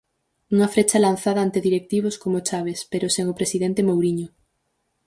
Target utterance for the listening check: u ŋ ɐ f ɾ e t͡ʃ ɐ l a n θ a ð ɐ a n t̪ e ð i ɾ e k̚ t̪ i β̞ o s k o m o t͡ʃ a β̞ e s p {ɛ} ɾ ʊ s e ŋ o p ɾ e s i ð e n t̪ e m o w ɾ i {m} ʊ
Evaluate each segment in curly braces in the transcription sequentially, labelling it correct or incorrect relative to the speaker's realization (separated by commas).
incorrect, incorrect